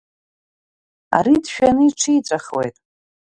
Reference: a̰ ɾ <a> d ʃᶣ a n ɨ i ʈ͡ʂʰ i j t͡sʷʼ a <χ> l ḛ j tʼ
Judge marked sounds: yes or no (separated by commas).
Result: no, yes